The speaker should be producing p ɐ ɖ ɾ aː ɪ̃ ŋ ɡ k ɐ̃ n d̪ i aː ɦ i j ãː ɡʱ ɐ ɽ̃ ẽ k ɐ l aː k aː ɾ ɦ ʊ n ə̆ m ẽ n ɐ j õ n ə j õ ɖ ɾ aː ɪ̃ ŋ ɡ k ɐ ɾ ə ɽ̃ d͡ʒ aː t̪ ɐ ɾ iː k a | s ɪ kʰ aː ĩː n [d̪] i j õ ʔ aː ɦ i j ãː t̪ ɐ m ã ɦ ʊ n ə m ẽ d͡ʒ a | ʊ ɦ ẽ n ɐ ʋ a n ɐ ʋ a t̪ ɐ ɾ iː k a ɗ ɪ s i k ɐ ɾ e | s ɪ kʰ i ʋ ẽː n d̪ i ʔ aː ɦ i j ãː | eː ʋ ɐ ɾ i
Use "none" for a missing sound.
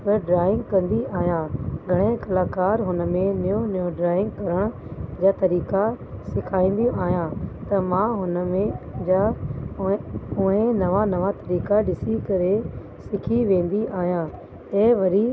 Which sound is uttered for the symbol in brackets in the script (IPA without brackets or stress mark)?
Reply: d̪